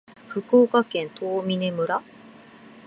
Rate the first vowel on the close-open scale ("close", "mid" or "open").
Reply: close